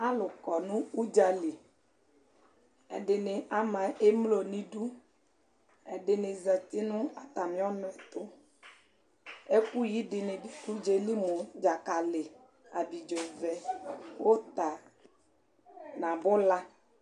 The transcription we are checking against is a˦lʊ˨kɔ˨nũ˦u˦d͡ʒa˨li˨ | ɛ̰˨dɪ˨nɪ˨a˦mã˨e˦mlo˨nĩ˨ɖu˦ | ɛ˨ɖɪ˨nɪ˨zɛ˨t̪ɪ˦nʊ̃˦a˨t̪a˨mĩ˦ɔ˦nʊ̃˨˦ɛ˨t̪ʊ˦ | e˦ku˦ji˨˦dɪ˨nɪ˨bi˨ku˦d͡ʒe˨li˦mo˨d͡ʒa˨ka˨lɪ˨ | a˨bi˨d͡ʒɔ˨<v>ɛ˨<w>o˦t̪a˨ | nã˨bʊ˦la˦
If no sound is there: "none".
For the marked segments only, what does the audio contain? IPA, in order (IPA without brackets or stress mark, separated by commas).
v, w